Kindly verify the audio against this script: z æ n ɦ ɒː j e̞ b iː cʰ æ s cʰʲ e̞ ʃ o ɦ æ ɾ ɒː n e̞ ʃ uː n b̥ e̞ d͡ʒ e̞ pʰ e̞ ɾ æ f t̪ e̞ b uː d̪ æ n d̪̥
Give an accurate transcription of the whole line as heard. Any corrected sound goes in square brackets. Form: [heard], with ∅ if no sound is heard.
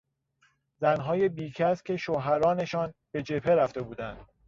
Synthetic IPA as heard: z æ n ɦ ɒː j e̞ b iː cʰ æ s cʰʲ e̞ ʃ o ɦ æ ɾ ɒː n e̞ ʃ [ɒː] n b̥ e̞ d͡ʒ e̞ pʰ e̞ ɾ æ f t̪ e̞ b uː d̪ æ n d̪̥